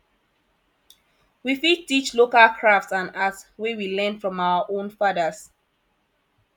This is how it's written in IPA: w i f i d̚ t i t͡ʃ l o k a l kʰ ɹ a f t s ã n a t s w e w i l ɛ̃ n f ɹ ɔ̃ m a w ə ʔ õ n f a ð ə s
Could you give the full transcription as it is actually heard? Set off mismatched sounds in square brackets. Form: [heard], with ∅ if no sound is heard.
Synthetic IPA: w i f i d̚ t i t͡ʃ l o k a l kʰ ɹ a f t s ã n a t s w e w i l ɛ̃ n f ɹ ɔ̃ m a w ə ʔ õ n f a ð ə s